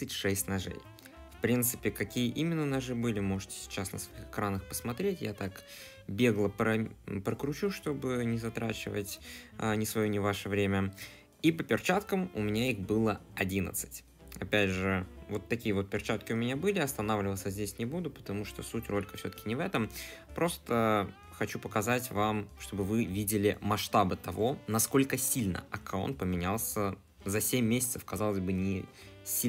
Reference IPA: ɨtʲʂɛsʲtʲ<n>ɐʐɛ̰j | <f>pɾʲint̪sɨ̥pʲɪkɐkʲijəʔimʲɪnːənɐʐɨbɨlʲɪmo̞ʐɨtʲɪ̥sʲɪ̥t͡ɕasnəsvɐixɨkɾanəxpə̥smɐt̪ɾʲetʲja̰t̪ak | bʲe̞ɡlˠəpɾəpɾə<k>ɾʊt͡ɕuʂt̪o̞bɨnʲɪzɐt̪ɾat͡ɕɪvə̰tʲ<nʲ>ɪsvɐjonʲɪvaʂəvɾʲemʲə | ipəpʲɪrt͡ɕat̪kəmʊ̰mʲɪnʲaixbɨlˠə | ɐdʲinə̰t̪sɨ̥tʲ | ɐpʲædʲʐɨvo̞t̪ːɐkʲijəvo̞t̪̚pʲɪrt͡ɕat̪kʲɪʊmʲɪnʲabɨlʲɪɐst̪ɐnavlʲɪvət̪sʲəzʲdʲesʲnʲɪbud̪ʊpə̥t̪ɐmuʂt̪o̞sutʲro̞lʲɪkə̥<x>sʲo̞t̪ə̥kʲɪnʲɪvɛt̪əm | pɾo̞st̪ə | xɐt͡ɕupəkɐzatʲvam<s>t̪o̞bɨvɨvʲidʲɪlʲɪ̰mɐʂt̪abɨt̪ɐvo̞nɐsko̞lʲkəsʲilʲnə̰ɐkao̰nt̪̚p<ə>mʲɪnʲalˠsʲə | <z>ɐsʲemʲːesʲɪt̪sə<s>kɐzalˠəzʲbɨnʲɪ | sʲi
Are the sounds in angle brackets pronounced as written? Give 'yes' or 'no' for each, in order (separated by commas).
yes, yes, yes, yes, no, no, yes, yes, no